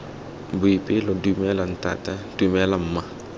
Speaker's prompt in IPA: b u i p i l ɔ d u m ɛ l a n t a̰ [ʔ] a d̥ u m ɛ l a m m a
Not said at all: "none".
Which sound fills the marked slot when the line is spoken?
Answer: t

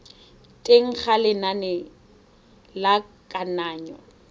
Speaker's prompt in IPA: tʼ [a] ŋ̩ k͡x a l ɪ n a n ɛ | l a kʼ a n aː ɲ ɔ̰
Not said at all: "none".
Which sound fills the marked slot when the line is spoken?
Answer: e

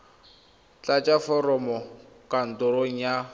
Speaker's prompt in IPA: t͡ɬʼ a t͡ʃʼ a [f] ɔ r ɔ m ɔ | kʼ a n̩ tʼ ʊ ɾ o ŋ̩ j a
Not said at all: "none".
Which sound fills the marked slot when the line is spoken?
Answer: f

